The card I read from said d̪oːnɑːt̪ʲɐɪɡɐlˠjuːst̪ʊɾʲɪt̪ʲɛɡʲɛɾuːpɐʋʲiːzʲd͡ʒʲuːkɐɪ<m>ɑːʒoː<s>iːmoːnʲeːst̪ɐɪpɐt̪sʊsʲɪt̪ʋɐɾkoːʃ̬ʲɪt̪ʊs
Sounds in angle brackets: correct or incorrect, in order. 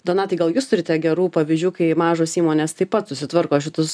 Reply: correct, correct

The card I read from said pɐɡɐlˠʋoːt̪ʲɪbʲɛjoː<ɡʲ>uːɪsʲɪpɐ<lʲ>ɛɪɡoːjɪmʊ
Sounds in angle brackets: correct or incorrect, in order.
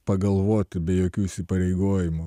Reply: incorrect: kʲ, incorrect: ɾʲ

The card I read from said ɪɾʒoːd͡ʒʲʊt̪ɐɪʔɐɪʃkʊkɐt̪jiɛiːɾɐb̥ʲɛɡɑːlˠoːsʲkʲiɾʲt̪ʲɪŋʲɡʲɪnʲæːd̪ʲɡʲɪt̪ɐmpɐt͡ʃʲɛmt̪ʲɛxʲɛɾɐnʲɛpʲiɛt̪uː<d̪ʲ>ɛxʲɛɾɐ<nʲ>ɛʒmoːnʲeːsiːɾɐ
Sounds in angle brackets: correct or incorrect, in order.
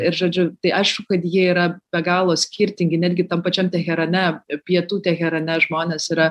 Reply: incorrect: t̪ʲ, correct

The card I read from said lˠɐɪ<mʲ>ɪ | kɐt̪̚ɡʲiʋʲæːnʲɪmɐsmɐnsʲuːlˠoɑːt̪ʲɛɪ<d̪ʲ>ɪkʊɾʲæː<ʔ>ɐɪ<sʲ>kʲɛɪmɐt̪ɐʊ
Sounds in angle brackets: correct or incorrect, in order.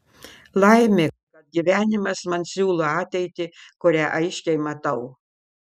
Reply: correct, incorrect: t̪ʲ, correct, incorrect: ʃʲ

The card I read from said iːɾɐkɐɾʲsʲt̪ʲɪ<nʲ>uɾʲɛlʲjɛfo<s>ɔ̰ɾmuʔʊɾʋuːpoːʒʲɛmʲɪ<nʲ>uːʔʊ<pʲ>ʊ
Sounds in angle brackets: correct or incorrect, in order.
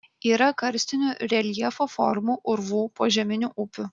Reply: correct, incorrect: f, correct, correct

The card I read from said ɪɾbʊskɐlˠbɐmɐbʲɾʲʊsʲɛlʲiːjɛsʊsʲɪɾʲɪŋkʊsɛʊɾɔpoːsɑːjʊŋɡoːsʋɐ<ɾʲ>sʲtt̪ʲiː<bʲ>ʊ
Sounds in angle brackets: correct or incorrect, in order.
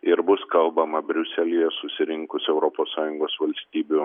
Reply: incorrect: lʲ, correct

